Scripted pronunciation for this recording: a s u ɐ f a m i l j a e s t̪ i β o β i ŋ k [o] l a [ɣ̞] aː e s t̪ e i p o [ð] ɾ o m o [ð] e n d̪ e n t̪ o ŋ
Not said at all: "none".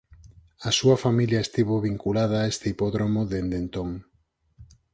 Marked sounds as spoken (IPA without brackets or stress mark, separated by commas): u, ð̞, ð, ð